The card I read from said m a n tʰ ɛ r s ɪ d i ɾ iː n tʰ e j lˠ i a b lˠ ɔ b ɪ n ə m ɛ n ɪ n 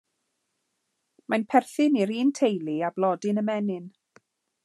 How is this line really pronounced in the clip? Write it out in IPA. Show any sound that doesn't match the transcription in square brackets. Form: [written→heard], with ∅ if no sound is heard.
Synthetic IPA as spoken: m a n [tʰ→pʰ] ɛ r [s→θ] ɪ [d→n] i ɾ iː n tʰ e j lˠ i a b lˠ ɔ [b→d] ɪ n ə m ɛ n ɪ n